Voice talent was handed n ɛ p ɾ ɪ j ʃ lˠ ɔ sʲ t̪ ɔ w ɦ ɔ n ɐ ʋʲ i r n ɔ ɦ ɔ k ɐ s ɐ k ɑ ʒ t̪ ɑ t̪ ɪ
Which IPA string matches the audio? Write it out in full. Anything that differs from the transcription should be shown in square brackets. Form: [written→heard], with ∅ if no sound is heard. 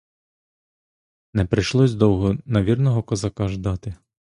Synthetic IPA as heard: n ɛ p ɾ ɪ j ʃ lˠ ɔ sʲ [t̪→d̪] ɔ w ɦ ɔ n ɐ ʋʲ i r n ɔ ɦ ɔ k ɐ [s→z] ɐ k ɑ ʒ [t̪→d̪] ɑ t̪ ɪ